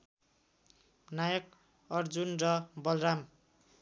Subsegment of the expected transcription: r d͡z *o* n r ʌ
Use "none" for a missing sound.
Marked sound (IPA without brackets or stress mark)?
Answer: u